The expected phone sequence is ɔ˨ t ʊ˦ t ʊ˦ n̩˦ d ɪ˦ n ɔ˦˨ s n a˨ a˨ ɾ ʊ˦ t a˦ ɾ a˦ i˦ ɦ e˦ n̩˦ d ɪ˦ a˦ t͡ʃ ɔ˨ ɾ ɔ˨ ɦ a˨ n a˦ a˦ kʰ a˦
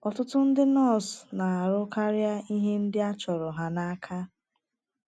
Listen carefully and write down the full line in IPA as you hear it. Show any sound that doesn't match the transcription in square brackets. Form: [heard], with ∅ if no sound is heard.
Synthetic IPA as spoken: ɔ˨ t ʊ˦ t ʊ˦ n̩˦ d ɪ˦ n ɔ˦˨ s n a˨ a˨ ɾ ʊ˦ [k] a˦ ɾ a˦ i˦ ɦ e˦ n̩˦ d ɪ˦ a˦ t͡ʃ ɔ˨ ɾ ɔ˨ ɦ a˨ n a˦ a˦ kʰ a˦